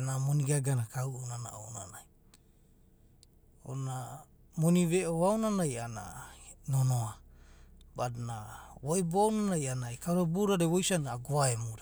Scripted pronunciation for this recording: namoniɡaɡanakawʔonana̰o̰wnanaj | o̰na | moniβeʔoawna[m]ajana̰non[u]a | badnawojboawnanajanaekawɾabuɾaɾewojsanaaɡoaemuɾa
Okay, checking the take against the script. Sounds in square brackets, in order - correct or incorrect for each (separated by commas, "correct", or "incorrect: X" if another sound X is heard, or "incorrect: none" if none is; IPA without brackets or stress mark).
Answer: incorrect: n, incorrect: o